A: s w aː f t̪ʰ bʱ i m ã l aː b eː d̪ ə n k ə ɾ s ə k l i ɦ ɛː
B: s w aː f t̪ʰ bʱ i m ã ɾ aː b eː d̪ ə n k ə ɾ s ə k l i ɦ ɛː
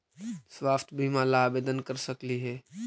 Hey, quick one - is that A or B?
A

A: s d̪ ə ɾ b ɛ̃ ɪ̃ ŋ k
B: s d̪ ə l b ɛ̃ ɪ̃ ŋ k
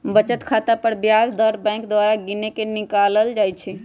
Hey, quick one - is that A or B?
A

